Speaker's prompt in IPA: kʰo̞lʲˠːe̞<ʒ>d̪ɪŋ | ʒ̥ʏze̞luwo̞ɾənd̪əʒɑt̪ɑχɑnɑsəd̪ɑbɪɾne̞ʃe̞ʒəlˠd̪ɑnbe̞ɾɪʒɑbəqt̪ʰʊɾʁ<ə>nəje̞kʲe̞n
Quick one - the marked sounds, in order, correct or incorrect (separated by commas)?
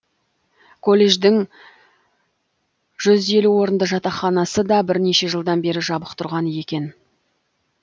correct, incorrect